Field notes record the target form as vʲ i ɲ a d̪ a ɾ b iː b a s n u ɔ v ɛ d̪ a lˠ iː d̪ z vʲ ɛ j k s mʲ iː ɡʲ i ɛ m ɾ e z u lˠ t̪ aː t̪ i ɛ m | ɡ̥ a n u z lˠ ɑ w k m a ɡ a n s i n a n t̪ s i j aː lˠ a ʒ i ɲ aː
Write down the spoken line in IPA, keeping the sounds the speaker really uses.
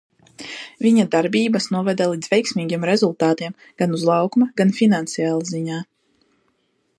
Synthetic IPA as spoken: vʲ i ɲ a d̪ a ɾ b iː b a s n u ɔ v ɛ d̪ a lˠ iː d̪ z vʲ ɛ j k s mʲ iː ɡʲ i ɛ m ɾ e z u lˠ t̪ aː t̪ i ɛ m | ɡ̥ a n u z lˠ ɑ w k m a ɡ a n f i n a n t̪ s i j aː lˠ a z i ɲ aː